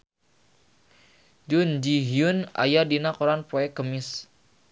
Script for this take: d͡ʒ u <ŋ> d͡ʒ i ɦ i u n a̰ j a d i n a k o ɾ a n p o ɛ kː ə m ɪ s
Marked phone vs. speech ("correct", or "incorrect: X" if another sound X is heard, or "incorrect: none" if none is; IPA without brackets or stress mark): incorrect: n